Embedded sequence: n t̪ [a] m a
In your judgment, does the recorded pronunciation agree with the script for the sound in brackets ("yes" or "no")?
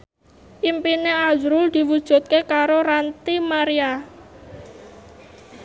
no